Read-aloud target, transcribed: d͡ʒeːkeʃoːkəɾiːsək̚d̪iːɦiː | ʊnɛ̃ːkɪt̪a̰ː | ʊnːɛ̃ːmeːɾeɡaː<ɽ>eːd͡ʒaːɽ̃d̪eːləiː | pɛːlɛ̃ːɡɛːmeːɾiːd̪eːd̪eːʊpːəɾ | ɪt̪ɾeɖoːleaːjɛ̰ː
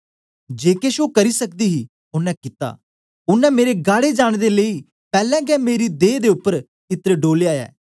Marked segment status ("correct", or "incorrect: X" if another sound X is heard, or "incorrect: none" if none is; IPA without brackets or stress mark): correct